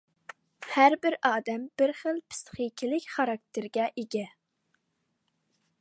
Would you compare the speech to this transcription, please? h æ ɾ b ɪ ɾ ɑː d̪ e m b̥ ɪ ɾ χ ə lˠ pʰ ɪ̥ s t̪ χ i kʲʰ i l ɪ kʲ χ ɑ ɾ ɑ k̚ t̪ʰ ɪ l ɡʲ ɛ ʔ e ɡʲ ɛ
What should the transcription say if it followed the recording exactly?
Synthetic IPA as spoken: h æ ɾ b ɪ ɾ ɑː d̪ ɛ m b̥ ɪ ɾ χ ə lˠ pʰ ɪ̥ s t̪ χ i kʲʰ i l ɪ kʲ χ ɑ ɾ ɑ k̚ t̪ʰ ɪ ɾ ɡʲ ɛ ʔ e ɡʲ ɛ